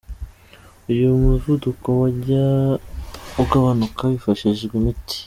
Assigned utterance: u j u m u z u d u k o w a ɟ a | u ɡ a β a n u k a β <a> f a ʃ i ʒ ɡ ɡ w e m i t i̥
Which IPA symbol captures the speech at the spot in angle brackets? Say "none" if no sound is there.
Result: i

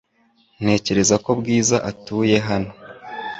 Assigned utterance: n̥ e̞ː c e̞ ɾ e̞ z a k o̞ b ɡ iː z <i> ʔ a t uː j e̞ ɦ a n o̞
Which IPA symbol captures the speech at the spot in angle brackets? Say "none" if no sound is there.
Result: a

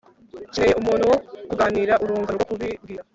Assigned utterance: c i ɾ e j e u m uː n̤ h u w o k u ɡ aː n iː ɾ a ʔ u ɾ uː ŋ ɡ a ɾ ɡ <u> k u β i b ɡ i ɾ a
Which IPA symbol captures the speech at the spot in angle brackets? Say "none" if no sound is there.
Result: o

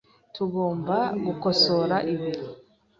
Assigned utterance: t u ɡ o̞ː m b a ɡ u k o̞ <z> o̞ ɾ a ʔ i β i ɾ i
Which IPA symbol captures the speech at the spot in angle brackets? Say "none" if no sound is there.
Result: s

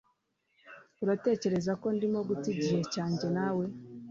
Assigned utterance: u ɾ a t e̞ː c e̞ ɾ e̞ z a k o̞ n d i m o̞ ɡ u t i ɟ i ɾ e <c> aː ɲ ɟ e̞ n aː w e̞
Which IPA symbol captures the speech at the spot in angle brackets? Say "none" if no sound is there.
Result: c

